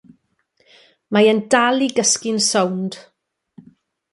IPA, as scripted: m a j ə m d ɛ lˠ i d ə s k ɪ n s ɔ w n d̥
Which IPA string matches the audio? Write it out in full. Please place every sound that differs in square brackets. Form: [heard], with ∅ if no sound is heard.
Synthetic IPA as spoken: m a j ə [n] d [a] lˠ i [ɡ] ə s k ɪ n s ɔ w n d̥